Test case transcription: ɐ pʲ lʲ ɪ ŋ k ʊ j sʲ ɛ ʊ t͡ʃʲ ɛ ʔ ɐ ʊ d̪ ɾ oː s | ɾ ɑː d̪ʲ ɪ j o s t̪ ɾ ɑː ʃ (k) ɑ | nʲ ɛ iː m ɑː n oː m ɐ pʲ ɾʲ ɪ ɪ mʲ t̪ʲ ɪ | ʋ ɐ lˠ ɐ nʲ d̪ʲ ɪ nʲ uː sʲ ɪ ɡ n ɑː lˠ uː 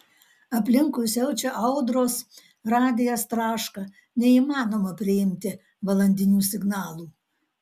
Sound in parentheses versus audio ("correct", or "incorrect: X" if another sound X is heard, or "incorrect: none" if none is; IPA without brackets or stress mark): correct